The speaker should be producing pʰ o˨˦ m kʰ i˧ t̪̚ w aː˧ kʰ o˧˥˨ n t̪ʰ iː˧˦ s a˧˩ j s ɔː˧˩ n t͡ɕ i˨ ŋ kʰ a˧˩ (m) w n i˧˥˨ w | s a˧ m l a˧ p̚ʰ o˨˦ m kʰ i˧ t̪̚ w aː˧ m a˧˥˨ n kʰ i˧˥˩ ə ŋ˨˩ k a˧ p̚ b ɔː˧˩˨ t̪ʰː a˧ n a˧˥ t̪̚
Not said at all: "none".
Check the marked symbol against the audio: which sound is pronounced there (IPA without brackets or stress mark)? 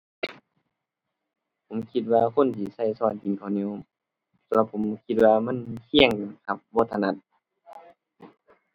none